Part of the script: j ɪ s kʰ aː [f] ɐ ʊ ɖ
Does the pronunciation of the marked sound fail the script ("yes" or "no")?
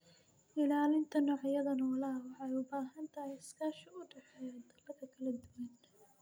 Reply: yes